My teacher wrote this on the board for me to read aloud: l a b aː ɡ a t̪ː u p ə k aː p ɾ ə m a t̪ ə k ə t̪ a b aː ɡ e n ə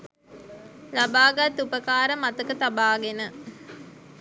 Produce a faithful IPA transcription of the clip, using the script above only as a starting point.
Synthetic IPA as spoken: l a b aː ɡ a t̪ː u p ə k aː ɾ ə m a t̪ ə k ə t̪ a b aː ɡ e n ə